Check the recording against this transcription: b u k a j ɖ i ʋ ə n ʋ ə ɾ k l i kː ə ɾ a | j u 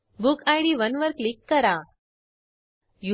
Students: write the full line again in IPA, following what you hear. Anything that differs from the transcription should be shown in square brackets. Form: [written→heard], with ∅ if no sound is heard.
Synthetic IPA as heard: b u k a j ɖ i ʋ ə n ʋ ə ɾ k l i kː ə ɾ a | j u